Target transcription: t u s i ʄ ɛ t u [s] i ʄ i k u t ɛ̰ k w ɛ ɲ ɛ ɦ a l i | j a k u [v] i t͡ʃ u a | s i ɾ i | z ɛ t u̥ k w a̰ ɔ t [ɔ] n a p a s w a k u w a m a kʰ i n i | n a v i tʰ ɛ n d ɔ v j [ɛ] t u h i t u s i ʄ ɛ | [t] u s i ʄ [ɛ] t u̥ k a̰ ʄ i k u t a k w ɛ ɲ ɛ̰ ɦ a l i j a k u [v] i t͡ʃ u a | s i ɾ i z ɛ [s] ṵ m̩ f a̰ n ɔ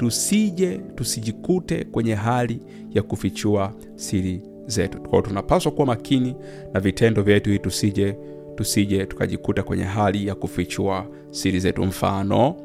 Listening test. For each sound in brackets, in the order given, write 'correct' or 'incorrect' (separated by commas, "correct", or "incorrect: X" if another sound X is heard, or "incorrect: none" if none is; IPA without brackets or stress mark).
correct, incorrect: f, incorrect: u, correct, correct, correct, incorrect: f, incorrect: t